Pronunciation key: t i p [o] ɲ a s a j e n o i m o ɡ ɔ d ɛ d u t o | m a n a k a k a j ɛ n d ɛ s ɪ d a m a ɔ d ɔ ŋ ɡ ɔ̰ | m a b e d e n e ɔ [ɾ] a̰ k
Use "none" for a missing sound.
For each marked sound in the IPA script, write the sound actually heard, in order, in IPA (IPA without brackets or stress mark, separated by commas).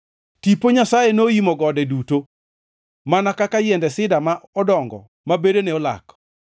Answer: o, l